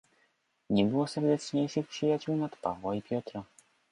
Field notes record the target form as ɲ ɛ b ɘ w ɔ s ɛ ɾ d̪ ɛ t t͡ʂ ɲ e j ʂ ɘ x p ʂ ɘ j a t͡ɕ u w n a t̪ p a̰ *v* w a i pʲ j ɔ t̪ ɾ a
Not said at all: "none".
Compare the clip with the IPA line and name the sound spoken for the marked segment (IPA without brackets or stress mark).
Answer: v